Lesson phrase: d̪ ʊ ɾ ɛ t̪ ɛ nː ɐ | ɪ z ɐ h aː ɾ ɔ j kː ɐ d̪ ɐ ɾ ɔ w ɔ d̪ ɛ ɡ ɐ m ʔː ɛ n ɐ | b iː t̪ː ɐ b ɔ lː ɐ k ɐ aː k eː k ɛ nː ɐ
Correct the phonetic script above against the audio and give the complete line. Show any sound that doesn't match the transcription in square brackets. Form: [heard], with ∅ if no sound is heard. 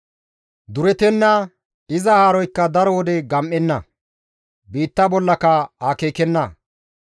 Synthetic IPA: d̪ ʊ ɾ ɛ t̪ ɛ nː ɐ | ɪ z ɐ h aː ɾ ɔ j kː ɐ d̪ ɐ ɾ ɔ w ɔ d̪ ɛ ɡ ɐ m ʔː ɛ [nː] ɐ | b iː t̪ː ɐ b ɔ lː ɐ k ɐ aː k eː k ɛ nː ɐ

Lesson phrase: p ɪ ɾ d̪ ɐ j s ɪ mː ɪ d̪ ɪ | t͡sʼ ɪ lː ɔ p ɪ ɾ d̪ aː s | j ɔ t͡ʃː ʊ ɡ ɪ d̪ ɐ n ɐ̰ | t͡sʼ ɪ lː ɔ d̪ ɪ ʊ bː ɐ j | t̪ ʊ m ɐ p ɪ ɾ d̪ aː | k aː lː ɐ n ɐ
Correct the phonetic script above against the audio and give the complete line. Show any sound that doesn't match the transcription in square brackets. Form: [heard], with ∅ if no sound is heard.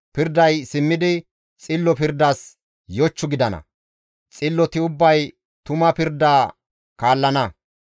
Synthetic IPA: p ɪ ɾ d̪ ɐ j s ɪ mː ɪ d̪ ɪ | t͡sʼ ɪ lː ɔ p ɪ ɾ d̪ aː s | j ɔ t͡ʃː ʊ ɡ ɪ d̪ ɐ n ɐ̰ | t͡sʼ ɪ lː ɔ [t̪] ɪ ʊ bː ɐ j | t̪ ʊ m ɐ p ɪ ɾ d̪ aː | k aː lː ɐ n ɐ

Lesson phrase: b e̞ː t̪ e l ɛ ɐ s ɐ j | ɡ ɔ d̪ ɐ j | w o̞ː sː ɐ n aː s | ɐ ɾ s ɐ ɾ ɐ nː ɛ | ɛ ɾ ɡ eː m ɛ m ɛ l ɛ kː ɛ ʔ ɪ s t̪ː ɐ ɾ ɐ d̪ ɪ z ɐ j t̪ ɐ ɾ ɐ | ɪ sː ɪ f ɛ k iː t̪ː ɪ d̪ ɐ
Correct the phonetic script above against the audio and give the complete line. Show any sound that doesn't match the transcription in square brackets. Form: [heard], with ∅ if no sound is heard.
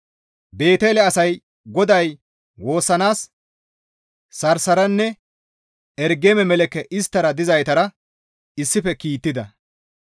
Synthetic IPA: b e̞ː t̪ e l ɛ ɐ s ɐ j | ɡ ɔ d̪ ɐ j | w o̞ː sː ɐ n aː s | ɐ ɾ s ɐ ɾ ɐ nː ɛ | ɛ ɾ ɡ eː m ɛ m ɛ l ɛ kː ɛ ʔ ɪ s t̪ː ɐ ɾ ɐ d̪ ɪ z ɐ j t̪ ɐ ɾ ɐ | ɪ sː ɪ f ɛ k iː t̪ː ɪ d̪ ɐ

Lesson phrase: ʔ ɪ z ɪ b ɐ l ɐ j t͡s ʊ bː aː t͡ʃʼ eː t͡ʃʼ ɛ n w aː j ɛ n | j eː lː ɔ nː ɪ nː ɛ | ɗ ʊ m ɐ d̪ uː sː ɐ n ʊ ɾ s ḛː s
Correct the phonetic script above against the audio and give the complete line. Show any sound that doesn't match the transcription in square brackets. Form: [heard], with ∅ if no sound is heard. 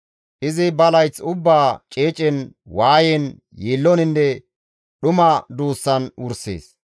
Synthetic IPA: ʔ ɪ z ɪ b ɐ l ɐ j t͡s ʊ bː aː t͡ʃʼ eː t͡ʃʼ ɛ n w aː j ɛ n | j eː lː ɔ [n] ɪ nː ɛ | ɗ ʊ m ɐ d̪ uː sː ɐ n ʊ ɾ s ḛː s

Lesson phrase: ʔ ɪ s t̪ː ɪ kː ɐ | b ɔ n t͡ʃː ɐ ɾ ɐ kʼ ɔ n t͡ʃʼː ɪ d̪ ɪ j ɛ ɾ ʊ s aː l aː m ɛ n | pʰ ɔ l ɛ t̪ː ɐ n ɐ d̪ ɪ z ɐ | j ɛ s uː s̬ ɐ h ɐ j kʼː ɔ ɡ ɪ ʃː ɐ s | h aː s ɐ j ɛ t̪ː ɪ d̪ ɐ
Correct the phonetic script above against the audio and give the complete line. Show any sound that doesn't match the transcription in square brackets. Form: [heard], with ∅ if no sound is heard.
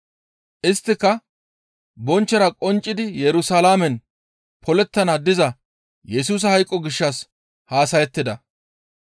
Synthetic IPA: ʔ ɪ s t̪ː ɪ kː ɐ | b ɔ n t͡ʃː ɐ ɾ ɐ kʼ ɔ n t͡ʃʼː ɪ d̪ ɪ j ɛ ɾ ʊ s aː l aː m ɛ n | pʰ ɔ l ɛ t̪ː ɐ n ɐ d̪ ɪ z ɐ | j ɛ s uː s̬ ɐ h ɐ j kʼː ɔ ɡ ɪ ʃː ɐ s | h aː s ɐ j ɛ t̪ː ɪ d̪ ɐ

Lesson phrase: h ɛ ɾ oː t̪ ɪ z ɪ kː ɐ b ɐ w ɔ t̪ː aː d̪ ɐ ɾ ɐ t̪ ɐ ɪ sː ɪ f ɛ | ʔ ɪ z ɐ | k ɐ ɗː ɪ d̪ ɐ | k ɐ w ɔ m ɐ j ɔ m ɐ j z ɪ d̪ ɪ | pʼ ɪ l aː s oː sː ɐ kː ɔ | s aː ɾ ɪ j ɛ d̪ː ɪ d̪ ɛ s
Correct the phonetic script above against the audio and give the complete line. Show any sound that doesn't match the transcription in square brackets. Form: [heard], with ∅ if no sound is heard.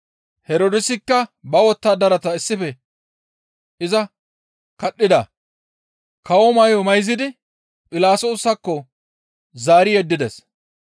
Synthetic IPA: h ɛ ɾ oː [d̪] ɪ [s] ɪ kː ɐ b ɐ w ɔ t̪ː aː d̪ ɐ ɾ ɐ t̪ ɐ ɪ sː ɪ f ɛ | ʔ ɪ z ɐ | k ɐ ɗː ɪ d̪ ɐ | k ɐ w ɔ m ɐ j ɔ m ɐ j z ɪ d̪ ɪ | pʼ ɪ l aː s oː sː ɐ kː ɔ | [z] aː ɾ ɪ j ɛ d̪ː ɪ d̪ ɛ s

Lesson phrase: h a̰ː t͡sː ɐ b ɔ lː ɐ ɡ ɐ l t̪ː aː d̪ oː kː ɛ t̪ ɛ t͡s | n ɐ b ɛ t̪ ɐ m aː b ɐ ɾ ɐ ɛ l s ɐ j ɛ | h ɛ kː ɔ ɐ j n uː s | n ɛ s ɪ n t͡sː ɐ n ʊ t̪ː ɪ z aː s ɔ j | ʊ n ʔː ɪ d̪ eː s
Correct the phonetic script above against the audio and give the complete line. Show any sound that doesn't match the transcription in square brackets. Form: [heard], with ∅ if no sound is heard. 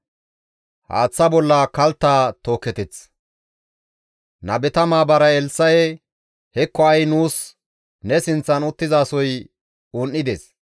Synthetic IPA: h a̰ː t͡sː ɐ b ɔ lː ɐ [k] ɐ l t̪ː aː [t̪] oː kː ɛ t̪ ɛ t͡s | n ɐ b ɛ t̪ ɐ m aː b ɐ ɾ ɐ ɛ l s ɐ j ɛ | h ɛ kː ɔ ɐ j n uː s | n ɛ s ɪ n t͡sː ɐ n ʊ t̪ː ɪ z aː s ɔ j | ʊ n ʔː ɪ d̪ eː s

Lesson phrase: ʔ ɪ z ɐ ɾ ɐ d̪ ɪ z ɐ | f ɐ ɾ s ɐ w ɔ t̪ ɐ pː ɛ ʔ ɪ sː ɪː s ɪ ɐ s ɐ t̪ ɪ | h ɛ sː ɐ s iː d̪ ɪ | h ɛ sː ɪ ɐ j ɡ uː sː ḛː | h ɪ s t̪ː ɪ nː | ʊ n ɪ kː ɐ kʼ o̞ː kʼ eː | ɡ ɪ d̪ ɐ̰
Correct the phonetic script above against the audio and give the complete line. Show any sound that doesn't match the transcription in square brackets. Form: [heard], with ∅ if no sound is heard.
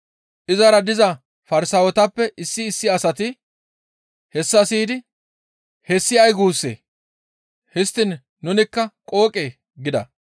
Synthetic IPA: ʔ ɪ z ɐ ɾ ɐ d̪ ɪ z ɐ | f ɐ ɾ s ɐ w ɔ t̪ ɐ pː ɛ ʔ ɪ sː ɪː [sː] ɪ ɐ s ɐ t̪ ɪ | h ɛ sː ɐ s iː d̪ ɪ | h ɛ sː ɪ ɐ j ɡ uː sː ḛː | h ɪ s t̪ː ɪ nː | ʊ n ɪ kː ɐ kʼ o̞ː kʼ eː | ɡ ɪ d̪ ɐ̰

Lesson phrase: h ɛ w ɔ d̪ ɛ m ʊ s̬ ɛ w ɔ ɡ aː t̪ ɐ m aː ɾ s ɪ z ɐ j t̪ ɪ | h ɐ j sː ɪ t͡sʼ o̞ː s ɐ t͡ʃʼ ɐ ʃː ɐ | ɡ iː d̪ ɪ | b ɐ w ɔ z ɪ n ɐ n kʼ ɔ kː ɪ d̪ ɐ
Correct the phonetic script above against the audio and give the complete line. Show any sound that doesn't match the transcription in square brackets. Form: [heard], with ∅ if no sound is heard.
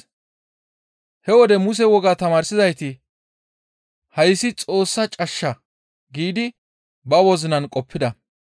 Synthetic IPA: h ɛ w ɔ d̪ ɛ m ʊ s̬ ɛ w ɔ ɡ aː t̪ ɐ m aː ɾ s ɪ z ɐ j t̪ ɪ | h ɐ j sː ɪ t͡sʼ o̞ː [sː] ɐ t͡ʃʼ ɐ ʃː ɐ | ɡ iː d̪ ɪ | b ɐ w ɔ z ɪ n ɐ n kʼ ɔ [pː] ɪ d̪ ɐ

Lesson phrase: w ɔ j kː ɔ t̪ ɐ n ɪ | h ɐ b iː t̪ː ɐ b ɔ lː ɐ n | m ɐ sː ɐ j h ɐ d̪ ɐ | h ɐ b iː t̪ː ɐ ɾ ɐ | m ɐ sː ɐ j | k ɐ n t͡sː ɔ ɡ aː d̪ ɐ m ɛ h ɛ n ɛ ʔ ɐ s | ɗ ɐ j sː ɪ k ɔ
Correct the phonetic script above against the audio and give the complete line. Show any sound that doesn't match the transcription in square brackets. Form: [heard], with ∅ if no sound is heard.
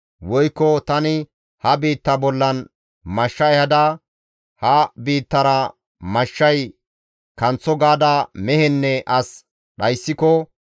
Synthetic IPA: w ɔ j kː ɔ t̪ ɐ n ɪ | h ɐ b iː t̪ː ɐ b ɔ lː ɐ n | m ɐ [ʃː] ɐ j h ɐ d̪ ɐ | h ɐ b iː t̪ː ɐ ɾ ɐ | m ɐ [ʃː] ɐ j | k ɐ n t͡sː ɔ ɡ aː d̪ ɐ m ɛ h ɛ [nː] ɛ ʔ ɐ s | ɗ ɐ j sː ɪ k ɔ

